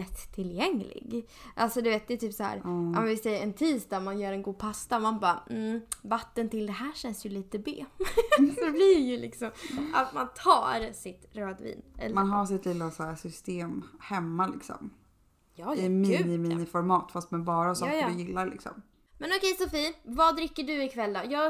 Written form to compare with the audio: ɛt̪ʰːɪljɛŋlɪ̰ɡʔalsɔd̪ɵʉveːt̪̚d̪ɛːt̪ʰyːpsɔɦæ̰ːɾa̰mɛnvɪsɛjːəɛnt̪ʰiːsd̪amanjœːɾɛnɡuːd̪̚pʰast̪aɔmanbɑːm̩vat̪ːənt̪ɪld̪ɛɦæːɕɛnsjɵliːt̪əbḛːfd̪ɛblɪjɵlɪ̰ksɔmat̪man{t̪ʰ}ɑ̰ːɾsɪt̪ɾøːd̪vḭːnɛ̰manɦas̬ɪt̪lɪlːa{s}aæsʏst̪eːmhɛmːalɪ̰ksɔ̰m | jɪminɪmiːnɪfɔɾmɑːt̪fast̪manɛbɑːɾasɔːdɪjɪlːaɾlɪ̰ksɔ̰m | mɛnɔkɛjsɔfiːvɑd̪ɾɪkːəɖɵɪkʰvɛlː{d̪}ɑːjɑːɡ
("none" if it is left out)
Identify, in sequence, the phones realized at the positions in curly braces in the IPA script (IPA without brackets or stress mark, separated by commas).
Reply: t̪ʰ, s, d̪